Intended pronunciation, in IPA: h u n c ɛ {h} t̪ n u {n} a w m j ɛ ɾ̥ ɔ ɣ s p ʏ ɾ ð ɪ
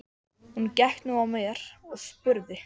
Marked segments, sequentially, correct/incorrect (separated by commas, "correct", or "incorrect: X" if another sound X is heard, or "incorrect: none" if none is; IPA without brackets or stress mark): correct, incorrect: none